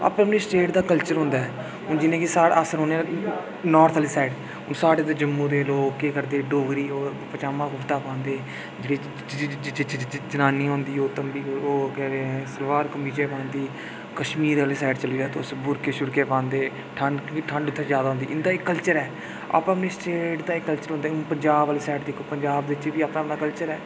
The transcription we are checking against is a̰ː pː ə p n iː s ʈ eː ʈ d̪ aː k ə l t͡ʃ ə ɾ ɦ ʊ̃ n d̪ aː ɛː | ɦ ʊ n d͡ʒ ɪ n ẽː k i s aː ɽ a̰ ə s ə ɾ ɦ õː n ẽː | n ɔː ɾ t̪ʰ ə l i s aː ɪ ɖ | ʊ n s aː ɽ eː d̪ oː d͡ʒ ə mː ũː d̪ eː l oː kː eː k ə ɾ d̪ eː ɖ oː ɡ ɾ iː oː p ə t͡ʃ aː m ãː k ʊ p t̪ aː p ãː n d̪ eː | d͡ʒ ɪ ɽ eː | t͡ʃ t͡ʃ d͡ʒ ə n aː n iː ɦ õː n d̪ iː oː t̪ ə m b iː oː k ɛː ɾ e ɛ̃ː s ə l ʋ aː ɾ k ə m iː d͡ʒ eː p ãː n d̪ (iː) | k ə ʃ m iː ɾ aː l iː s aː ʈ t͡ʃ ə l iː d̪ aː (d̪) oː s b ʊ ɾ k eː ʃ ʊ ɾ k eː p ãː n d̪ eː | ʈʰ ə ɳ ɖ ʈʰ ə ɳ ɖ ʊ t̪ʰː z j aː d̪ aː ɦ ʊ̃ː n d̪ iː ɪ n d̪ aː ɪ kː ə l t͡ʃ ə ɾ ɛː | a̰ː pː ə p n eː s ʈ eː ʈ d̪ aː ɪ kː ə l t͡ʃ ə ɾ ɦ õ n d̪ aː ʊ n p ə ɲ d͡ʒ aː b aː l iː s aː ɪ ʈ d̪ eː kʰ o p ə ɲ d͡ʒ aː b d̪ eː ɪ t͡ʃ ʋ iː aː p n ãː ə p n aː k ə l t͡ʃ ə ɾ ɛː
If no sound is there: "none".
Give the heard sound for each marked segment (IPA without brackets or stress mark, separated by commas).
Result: iː, t̪